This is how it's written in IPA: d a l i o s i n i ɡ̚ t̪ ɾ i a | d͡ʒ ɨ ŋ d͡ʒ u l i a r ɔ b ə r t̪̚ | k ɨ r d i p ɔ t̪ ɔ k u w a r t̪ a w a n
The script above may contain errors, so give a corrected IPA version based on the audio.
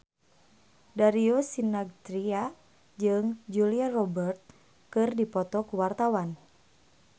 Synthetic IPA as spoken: d a ɾ i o s i n a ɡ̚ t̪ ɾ i a | d͡ʒ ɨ ŋ d͡ʒ u l i a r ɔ b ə r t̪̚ | k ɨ r d i p ɔ t̪ ɔ k u w a r t̪ a w a n